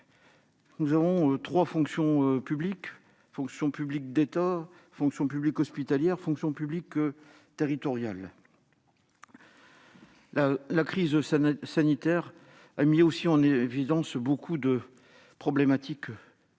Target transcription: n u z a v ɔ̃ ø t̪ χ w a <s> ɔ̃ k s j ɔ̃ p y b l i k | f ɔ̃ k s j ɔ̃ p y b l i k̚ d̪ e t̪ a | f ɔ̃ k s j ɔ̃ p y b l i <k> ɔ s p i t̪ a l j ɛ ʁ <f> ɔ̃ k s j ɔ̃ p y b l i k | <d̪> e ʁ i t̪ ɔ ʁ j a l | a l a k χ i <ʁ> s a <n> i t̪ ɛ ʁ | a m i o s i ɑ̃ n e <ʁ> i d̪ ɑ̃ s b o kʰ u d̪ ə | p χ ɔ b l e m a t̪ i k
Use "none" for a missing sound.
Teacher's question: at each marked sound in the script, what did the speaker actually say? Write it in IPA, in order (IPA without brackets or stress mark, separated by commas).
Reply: f, k, f, t̪, z, n, v